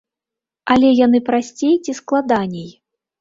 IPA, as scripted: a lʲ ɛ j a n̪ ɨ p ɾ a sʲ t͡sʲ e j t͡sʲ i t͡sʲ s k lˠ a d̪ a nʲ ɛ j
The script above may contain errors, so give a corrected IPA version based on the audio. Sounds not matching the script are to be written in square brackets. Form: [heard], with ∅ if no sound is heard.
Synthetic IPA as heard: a lʲ ɛ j a n̪ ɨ p ɾ a sʲ t͡sʲ e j t͡sʲ i [∅] s k lˠ a d̪ a nʲ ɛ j